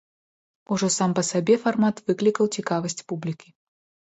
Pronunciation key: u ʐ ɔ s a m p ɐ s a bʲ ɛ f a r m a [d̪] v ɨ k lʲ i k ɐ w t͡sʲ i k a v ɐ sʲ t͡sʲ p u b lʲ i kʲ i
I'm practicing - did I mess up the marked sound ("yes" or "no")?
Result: yes